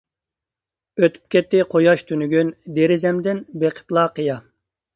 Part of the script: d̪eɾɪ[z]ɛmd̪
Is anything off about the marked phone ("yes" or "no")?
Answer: no